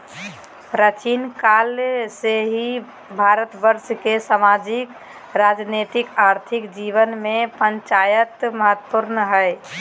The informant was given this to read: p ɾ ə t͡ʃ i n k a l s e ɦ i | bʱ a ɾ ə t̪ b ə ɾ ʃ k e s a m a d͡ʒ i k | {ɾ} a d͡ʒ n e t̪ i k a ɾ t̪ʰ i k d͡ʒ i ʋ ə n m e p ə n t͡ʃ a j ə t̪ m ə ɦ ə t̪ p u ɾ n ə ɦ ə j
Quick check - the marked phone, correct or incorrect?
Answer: correct